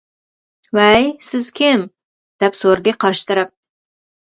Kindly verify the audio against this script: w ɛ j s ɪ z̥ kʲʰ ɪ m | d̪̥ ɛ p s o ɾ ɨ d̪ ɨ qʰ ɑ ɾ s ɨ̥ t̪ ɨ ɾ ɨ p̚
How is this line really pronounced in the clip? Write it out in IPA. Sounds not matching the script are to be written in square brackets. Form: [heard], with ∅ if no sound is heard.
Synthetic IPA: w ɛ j s ɪ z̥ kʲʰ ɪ m | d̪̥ ɛ p s o ɾ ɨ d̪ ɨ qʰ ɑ ɾ [ʃ] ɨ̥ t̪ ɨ ɾ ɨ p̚

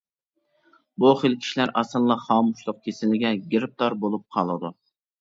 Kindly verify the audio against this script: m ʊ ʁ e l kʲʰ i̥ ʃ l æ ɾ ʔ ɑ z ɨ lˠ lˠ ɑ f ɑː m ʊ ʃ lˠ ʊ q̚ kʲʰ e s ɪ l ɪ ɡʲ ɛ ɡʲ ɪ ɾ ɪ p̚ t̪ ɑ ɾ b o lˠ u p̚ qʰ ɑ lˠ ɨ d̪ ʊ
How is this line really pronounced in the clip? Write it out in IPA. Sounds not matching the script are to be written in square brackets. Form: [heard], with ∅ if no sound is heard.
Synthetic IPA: [b] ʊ [χ] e l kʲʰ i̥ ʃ l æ ɾ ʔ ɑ [s] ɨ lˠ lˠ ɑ [χ] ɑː m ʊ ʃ lˠ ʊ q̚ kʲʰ e s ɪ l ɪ ɡʲ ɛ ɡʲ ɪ ɾ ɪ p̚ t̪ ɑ ɾ b o lˠ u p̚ qʰ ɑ lˠ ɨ d̪ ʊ

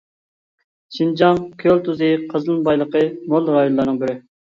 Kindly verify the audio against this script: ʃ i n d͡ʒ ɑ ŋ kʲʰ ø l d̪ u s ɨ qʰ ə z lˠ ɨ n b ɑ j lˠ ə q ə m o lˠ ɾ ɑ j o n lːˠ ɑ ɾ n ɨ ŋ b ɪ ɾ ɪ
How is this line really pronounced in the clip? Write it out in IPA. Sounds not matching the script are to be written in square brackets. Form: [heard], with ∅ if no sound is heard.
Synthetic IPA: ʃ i n d͡ʒ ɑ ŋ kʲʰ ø l [t̪] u [z] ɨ qʰ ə z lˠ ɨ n b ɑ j lˠ ə q ə m o lˠ ɾ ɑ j o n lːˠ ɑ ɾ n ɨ ŋ b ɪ ɾ ɪ

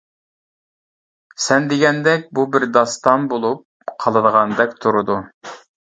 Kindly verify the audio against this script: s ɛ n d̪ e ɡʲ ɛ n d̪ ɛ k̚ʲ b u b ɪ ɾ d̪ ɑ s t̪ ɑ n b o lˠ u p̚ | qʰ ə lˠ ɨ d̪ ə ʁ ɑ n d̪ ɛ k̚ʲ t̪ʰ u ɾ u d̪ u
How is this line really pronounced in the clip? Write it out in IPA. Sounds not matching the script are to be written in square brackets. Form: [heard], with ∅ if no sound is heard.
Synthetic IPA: s ɛ n d̪ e ɡʲ ɛ n d̪ ɛ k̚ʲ b u b ɪ ɾ d̪ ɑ s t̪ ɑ n b o lˠ u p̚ | qʰ [ɑ] lˠ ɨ d̪ ə ʁ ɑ n d̪ ɛ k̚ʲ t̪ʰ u ɾ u d̪ u

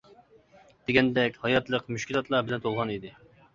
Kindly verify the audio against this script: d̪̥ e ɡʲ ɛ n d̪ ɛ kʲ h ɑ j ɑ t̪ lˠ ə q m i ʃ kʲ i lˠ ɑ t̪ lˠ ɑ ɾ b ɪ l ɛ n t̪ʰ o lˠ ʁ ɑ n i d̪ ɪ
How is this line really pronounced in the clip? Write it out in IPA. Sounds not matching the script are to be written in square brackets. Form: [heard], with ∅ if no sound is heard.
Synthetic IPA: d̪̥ e ɡʲ ɛ n d̪ ɛ kʲ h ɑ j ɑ t̪ lˠ ə q m [y] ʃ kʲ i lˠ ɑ t̪ lˠ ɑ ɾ b ɪ l ɛ n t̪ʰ o lˠ ʁ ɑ n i d̪ ɪ

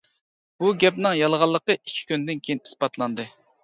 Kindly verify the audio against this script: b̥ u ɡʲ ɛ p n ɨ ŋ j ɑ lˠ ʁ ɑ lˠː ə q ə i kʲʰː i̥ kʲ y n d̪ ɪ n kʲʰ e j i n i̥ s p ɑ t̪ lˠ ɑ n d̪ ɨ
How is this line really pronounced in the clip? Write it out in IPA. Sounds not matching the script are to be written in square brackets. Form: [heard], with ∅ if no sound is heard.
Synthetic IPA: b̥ u ɡʲ ɛ p n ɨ ŋ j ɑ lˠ ʁ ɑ lˠː ə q ə i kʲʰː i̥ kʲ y n d̪ ɪ n kʲʰ e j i n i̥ s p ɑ t̪ lˠ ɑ n d̪ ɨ

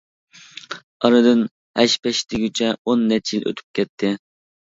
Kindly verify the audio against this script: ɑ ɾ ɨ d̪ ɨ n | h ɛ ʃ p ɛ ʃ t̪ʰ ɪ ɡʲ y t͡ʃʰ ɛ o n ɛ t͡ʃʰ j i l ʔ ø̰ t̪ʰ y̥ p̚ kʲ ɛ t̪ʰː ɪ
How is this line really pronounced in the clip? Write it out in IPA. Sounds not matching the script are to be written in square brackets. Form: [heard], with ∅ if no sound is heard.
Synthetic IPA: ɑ ɾ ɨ d̪ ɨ n | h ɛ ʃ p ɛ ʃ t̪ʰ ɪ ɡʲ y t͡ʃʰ ɛ o [nː] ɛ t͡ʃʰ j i l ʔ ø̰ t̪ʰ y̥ p̚ kʲ ɛ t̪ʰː ɪ

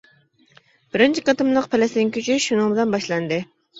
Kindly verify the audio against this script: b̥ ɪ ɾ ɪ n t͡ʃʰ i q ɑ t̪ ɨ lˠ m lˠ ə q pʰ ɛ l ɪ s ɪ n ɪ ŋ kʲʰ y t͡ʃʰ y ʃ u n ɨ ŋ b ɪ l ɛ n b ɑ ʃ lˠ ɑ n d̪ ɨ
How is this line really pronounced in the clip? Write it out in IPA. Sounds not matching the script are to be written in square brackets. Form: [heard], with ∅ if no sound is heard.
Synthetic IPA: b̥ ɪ ɾ ɪ n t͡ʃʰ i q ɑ t̪ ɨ [∅] m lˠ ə q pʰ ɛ l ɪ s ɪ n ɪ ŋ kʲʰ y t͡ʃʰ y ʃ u n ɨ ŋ b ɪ l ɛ n b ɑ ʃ lˠ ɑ n d̪ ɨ

